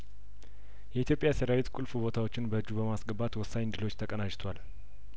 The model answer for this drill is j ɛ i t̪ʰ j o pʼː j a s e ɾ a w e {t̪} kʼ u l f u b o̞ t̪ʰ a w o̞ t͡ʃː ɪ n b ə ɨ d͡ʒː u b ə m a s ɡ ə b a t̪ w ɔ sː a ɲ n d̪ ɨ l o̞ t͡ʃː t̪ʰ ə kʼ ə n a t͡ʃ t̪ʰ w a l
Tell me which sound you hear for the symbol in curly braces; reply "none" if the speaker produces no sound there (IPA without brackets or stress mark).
t̪